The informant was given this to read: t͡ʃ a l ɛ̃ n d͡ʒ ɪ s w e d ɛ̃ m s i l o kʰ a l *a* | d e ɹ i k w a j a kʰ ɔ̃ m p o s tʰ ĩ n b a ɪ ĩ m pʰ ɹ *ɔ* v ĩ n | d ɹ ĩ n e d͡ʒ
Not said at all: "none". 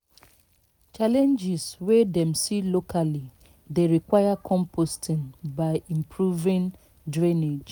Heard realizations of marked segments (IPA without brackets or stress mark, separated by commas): i, u